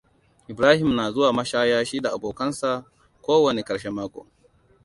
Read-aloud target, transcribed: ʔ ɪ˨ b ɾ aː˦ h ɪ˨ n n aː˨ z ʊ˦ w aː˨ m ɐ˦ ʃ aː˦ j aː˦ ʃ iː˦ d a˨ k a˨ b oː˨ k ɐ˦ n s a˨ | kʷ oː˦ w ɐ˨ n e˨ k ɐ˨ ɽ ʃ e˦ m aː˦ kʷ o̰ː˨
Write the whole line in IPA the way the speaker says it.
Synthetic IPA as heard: ʔ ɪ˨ b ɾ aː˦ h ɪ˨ m n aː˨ z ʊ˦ w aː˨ m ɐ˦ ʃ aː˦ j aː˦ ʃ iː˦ d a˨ ʔ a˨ b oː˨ k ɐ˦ n s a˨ | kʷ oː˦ w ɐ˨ n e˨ k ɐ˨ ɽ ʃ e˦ m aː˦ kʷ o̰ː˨